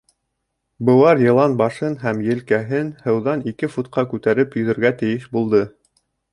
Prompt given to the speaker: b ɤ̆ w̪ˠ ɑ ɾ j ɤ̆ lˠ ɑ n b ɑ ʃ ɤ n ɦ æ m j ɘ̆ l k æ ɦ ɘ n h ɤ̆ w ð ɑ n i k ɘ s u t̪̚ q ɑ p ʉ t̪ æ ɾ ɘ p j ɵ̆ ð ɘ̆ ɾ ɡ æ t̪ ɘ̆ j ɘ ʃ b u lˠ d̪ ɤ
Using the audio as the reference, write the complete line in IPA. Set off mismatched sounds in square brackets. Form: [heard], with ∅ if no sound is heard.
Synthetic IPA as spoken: b ɤ̆ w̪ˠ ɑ ɾ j ɤ̆ lˠ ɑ n b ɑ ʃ ɤ n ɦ æ m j ɘ̆ l k æ ɦ ɘ n h ɤ̆ w ð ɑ n i k ɘ [f] u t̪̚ q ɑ [k] ʉ t̪ æ ɾ ɘ p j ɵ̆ ð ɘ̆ ɾ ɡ æ t̪ ɘ̆ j ɘ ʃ b u lˠ d̪ ɤ